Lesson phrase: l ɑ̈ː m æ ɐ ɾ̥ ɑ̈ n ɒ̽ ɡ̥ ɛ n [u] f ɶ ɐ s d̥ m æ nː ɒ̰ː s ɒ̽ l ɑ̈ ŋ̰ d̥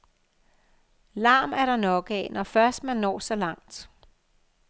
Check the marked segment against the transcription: incorrect: ɒ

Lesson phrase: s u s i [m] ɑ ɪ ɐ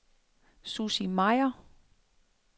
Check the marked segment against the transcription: correct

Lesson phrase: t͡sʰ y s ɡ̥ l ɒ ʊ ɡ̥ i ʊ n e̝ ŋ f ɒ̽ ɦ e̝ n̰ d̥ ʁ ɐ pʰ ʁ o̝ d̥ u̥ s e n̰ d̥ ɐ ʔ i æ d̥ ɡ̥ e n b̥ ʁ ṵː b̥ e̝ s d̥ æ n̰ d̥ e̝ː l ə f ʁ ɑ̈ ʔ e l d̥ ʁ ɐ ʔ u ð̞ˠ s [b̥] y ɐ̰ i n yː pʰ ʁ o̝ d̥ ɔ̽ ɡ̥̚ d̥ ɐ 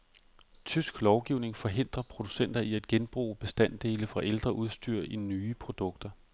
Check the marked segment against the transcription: incorrect: d̥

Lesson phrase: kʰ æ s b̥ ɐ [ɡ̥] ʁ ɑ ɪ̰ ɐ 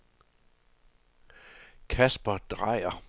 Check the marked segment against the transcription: incorrect: d̥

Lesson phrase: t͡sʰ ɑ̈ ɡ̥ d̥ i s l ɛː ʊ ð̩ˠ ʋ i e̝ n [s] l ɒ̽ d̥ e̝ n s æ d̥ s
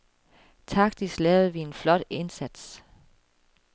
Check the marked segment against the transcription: incorrect: f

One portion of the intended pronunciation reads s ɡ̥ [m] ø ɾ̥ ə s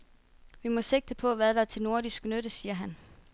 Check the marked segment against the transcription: incorrect: n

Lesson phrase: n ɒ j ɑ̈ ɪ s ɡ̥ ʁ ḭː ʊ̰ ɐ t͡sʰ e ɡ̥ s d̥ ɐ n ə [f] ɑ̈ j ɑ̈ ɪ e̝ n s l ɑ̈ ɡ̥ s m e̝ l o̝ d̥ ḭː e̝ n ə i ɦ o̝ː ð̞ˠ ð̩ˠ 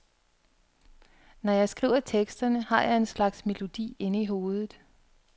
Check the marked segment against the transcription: incorrect: h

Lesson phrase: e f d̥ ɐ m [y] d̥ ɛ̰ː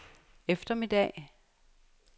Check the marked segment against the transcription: incorrect: i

